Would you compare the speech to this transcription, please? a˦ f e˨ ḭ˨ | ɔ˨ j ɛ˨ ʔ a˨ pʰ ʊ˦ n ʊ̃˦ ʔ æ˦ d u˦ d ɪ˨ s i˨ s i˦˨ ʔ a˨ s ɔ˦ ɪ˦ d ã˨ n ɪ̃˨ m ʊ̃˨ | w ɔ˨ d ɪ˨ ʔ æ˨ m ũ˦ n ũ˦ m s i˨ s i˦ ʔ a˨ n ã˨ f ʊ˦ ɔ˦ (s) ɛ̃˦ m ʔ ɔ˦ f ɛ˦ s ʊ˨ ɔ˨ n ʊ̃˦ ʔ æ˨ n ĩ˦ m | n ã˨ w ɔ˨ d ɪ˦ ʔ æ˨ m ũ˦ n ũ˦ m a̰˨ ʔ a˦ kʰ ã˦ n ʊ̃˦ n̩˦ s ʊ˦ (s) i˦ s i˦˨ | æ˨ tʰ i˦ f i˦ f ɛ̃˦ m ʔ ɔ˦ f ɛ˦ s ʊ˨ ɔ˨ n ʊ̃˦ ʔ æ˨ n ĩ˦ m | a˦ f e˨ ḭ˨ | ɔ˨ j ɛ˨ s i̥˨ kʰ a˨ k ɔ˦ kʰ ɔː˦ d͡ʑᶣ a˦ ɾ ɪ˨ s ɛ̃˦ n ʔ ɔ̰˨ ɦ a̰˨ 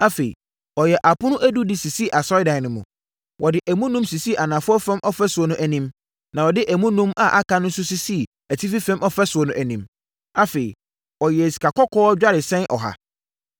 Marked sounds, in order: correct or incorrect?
incorrect, correct

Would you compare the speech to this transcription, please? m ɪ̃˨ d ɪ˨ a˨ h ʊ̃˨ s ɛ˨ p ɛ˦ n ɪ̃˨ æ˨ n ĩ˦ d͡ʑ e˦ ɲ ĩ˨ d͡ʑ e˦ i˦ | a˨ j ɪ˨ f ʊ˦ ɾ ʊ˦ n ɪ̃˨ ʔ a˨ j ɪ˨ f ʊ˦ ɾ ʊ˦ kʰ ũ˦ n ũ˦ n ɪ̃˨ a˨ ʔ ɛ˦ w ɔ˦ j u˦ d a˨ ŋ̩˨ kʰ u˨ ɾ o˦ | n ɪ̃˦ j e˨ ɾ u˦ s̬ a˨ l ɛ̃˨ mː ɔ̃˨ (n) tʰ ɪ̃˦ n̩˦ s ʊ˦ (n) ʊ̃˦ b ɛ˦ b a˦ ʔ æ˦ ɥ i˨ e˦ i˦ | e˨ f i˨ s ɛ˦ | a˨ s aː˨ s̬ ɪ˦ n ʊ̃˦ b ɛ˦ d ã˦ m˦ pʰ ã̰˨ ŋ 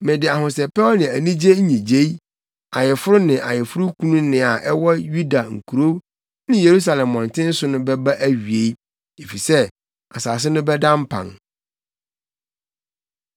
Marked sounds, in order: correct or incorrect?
correct, correct

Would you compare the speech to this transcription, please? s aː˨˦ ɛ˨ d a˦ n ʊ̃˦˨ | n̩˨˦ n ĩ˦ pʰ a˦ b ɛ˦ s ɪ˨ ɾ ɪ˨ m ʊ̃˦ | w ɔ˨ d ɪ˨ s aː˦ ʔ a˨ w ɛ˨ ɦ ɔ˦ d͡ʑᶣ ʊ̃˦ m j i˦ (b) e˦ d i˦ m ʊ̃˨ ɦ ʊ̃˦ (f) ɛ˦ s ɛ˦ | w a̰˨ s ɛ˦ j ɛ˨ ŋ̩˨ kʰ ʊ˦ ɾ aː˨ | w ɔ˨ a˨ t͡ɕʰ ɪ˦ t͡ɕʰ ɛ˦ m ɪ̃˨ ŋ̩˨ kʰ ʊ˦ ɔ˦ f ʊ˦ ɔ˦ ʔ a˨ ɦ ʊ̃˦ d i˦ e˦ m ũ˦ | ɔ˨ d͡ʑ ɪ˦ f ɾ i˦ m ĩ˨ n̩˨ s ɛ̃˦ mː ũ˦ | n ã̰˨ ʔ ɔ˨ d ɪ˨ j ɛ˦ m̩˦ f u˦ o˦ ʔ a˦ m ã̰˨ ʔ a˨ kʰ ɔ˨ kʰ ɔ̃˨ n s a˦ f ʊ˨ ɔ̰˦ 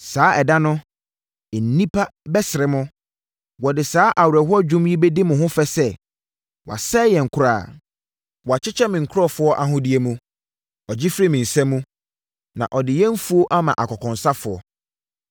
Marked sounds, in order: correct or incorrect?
correct, correct

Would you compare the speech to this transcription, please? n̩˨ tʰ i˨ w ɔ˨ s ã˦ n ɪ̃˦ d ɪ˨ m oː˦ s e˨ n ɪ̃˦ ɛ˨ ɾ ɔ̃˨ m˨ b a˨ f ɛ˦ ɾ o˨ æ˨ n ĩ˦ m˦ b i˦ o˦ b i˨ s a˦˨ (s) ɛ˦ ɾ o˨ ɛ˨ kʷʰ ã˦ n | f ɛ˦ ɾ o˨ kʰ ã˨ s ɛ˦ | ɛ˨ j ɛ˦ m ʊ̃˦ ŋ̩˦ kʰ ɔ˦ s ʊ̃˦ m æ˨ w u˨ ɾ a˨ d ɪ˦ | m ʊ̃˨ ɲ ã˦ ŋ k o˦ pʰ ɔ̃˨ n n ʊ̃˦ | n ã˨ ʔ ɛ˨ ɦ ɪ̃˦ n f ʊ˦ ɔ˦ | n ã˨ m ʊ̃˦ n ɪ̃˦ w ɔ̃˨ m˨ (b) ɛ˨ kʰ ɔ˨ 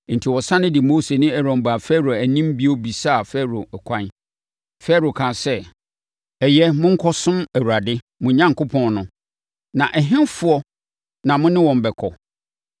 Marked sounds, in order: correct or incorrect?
incorrect, correct

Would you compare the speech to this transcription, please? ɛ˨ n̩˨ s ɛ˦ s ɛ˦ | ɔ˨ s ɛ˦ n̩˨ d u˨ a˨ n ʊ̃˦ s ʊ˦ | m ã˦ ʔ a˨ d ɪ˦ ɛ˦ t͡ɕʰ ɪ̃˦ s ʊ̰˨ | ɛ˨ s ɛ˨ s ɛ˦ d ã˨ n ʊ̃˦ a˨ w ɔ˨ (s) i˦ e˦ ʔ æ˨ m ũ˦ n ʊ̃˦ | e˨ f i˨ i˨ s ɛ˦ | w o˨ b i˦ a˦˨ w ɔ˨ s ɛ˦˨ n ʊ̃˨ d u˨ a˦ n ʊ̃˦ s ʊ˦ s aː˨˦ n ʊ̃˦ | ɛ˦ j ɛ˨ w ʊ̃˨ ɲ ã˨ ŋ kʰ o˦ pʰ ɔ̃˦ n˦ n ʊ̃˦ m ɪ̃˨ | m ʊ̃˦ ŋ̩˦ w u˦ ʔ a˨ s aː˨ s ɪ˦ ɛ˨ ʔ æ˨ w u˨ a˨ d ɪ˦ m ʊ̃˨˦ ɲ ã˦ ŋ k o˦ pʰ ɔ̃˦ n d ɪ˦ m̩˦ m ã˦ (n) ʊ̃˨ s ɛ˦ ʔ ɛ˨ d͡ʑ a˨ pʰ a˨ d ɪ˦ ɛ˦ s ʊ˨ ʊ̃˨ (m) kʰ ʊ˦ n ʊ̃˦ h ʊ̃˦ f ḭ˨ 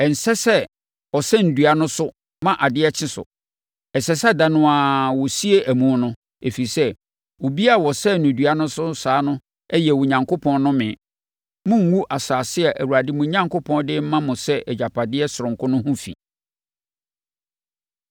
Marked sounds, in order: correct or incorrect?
correct, incorrect, incorrect

